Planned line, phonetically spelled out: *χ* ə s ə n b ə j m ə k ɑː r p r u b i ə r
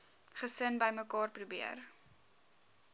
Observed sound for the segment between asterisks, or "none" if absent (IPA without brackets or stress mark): χ